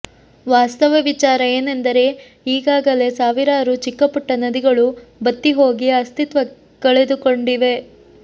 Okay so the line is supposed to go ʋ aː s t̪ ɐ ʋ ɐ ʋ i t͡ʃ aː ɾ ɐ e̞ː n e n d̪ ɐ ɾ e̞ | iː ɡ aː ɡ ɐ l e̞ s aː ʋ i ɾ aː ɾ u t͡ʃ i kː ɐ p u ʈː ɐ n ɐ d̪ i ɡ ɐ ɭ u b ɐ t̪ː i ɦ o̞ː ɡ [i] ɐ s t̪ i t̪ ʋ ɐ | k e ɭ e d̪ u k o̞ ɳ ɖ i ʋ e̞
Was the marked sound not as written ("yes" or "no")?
no